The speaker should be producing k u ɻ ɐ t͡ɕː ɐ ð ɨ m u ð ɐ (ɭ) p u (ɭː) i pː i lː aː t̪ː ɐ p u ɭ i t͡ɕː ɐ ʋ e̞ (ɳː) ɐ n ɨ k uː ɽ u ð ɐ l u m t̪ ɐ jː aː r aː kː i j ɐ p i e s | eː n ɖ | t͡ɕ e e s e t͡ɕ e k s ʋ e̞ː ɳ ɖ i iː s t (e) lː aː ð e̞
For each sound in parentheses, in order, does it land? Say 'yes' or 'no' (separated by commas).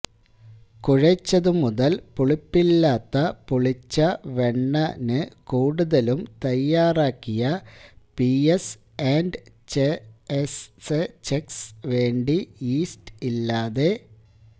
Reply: no, no, yes, no